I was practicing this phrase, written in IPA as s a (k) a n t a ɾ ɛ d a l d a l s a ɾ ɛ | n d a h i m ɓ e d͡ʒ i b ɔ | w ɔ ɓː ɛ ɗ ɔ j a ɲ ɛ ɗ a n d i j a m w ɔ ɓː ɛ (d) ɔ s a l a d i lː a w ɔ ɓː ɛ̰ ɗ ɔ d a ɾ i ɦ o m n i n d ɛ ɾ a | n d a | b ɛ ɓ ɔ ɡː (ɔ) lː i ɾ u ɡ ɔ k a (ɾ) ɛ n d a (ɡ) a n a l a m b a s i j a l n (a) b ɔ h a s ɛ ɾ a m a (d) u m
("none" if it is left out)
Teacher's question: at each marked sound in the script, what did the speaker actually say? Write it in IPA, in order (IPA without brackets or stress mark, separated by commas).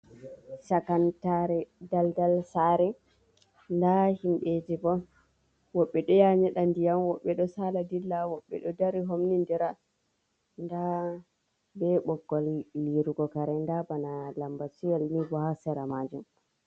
k, ɗ, ɔ, ɾ, b, i, d͡ʒ